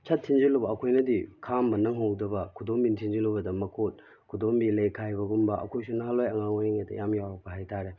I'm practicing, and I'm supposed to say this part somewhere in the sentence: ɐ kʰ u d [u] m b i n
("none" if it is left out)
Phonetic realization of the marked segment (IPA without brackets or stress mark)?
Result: o